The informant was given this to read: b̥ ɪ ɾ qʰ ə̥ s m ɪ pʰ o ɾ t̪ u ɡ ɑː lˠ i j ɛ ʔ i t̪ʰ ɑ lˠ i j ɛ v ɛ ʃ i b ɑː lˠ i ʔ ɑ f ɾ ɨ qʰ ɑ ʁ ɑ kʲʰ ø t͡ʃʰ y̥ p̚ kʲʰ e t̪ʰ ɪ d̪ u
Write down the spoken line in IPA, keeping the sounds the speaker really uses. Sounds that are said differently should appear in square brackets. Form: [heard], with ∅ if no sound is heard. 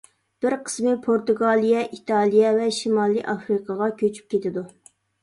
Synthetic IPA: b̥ ɪ ɾ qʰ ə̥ s m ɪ pʰ o ɾ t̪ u ɡ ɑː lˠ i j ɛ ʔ i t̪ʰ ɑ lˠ i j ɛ v ɛ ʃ i [m] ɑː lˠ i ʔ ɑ f ɾ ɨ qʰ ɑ ʁ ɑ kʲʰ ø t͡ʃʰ y̥ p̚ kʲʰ e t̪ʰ ɪ d̪ u

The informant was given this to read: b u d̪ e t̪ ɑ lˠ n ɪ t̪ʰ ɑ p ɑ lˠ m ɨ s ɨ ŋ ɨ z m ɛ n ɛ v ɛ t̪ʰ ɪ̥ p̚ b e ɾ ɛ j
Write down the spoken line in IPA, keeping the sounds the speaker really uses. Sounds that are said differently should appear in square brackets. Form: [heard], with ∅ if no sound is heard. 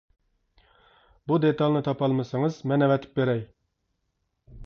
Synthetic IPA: b u d̪ e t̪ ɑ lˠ n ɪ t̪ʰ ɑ p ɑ lˠ m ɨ s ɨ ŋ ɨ z m ɛ n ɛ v ɛ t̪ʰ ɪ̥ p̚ b e ɾ ɛ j

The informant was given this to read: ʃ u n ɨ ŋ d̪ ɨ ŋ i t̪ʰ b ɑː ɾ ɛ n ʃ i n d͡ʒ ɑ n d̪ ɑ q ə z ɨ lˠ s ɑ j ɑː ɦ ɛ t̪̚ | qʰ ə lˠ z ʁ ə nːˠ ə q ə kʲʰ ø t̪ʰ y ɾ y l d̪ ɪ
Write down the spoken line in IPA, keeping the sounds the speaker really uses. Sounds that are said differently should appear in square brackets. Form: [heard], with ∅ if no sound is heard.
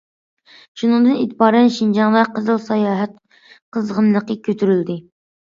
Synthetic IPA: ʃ u n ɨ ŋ d̪ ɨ [n] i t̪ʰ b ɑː ɾ ɛ n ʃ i n d͡ʒ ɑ [ŋ] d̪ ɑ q ə z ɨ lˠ s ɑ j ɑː ɦ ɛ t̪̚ | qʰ ə [∅] z ʁ ə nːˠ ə q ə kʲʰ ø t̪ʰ y ɾ y l d̪ ɪ

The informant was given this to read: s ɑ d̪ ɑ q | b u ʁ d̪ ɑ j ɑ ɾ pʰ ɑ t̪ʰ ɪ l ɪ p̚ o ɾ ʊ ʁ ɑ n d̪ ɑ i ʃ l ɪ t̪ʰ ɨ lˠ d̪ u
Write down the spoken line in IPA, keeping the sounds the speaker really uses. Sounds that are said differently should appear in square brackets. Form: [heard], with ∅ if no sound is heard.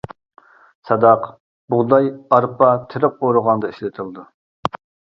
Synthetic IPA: s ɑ d̪ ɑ q | b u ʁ d̪ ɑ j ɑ ɾ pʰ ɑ t̪ʰ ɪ [ɾ] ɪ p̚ o ɾ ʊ ʁ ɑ n d̪ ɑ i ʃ l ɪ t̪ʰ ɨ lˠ d̪ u

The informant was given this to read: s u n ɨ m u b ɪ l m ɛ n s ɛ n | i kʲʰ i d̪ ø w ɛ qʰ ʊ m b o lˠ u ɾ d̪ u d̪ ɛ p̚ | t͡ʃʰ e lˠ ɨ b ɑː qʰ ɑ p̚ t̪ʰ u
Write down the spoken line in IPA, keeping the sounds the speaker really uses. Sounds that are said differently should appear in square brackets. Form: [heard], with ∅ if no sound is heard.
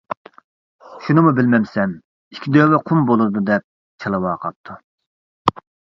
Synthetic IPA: [ʃ] u n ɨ m u b ɪ l m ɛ [m] s ɛ [m] | i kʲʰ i d̪ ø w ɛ qʰ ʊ m b o lˠ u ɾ d̪ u d̪ ɛ p̚ | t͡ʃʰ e lˠ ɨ [w] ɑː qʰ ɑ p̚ t̪ʰ u

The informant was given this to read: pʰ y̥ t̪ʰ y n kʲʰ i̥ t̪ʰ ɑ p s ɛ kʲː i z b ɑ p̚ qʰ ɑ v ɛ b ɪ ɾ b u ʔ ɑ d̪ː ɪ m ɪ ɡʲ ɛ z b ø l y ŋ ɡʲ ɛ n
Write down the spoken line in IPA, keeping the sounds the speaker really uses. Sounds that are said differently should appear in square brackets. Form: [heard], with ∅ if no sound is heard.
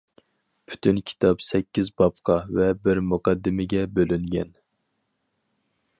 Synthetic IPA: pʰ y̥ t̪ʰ y n kʲʰ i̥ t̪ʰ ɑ p s ɛ kʲː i z b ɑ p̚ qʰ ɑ v ɛ b ɪ ɾ [m] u [q] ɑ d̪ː ɪ m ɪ ɡʲ ɛ [∅] b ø l y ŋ ɡʲ ɛ n

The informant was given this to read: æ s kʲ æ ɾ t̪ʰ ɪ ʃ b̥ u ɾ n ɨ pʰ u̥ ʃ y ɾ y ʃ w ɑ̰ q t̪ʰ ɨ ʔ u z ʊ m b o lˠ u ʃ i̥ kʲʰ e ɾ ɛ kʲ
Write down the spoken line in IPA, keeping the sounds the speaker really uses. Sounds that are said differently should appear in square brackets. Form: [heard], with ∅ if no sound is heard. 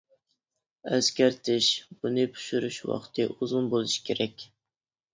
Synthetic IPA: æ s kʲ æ ɾ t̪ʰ ɪ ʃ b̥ u [∅] n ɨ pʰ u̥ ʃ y ɾ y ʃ w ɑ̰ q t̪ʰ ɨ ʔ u z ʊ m b o lˠ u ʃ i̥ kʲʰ e ɾ ɛ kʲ

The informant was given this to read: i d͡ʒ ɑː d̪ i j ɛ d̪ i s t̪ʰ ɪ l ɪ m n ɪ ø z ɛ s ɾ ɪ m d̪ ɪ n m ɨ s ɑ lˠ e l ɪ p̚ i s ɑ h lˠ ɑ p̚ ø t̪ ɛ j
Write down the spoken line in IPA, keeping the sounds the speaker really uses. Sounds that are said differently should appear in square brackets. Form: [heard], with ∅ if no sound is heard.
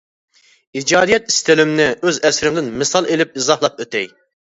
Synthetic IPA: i d͡ʒ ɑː d̪ i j ɛ [t̪] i s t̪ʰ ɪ l ɪ m n ɪ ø z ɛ s ɾ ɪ m d̪ ɪ n m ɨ s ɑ lˠ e l ɪ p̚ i [z] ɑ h lˠ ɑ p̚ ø t̪ ɛ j

